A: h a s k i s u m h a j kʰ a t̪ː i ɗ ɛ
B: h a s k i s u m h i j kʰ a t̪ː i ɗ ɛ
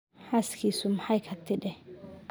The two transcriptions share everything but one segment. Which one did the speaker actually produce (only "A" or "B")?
A